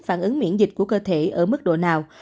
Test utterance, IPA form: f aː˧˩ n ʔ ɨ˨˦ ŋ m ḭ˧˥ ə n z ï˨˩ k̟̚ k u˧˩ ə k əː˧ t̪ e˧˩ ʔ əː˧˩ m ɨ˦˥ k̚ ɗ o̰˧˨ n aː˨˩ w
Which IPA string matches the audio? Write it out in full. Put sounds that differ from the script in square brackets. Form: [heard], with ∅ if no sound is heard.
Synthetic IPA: f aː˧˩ n ʔ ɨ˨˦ ŋ m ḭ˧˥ ə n z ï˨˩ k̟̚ k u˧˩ ə k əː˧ [t̪ʰ] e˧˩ ʔ əː˧˩ m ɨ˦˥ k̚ ɗ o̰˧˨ n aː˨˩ w